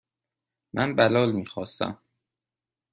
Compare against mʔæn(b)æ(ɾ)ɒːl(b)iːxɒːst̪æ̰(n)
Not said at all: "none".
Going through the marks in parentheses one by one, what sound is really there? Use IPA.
b, l, m, m

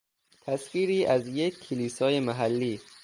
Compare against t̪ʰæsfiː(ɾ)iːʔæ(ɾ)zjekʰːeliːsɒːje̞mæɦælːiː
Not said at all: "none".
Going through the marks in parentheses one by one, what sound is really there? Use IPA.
ɾ, none

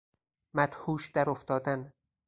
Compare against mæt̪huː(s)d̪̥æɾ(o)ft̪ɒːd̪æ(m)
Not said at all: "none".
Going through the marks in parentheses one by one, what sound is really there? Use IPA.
ʃ, o, n

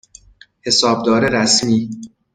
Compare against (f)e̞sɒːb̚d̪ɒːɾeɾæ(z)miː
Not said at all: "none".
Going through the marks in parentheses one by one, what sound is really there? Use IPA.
h, s

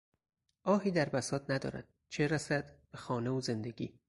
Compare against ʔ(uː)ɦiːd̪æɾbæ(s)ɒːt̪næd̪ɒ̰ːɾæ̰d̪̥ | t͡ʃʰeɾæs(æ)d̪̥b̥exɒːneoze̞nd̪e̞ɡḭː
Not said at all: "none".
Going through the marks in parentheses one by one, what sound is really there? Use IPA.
ɒː, s, æ

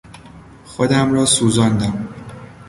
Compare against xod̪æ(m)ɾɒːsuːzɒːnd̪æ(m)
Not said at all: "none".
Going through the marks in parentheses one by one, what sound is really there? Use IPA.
m, m

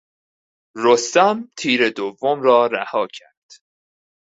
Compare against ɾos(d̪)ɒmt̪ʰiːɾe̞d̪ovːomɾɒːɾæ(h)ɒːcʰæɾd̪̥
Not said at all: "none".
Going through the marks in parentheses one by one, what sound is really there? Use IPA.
t̪, h

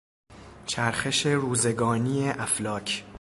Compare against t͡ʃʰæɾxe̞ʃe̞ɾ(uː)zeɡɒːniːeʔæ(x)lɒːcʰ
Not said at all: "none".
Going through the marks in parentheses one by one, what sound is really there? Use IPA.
uː, f

